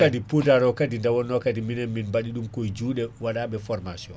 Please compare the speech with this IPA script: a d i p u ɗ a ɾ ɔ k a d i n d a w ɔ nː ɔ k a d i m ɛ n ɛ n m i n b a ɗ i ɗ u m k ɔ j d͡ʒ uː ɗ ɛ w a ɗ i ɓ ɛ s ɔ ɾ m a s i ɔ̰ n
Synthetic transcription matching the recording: a d i p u d a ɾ ɔ k a d i n d a w ɔ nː ɔ k a d i m i n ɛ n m i n b a ɗ i ɗ u m k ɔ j d͡ʒ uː ɗ ɛ w a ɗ a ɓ ɛ f ɔ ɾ m a s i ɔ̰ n